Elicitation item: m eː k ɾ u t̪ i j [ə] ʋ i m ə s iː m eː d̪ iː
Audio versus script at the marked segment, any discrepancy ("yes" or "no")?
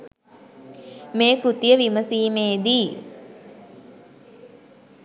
no